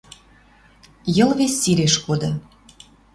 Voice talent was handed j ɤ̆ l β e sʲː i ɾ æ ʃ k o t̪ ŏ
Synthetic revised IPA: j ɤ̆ l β e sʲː i ɾ e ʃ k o d̪ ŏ